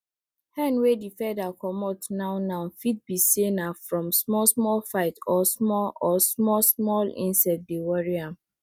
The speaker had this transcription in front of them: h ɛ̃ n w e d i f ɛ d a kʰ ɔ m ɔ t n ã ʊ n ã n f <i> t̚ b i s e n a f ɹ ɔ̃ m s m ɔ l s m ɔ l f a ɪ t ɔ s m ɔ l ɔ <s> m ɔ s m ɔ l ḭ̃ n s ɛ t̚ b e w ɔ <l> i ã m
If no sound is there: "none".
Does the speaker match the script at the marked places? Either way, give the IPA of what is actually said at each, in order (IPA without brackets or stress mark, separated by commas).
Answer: i, s, ɹ